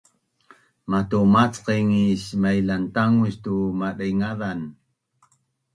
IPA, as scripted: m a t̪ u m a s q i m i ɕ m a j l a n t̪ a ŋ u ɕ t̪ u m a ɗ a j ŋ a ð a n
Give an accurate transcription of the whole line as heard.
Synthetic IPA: m a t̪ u m a t͡s q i ŋ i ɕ m a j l a n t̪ a ŋ u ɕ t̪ u m a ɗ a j ŋ a ð a n